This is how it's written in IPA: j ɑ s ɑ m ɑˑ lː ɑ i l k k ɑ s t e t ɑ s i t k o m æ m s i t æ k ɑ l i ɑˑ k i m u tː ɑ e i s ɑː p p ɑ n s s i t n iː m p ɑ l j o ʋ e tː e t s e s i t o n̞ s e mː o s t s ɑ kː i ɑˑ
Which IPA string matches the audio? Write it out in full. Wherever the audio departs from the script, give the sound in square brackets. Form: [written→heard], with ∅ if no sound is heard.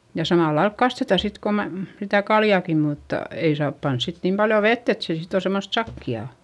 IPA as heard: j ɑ s ɑ m ɑˑ lː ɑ i l k k ɑ s t e t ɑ s i t k o m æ m s i t æ k ɑ l [i→j] ɑˑ k i m u tː ɑ e i s ɑː p p ɑ n s s i t n iː m p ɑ l j o ʋ e tː e t s e s i t o n̞ s e mː o s t s ɑ kː i ɑˑ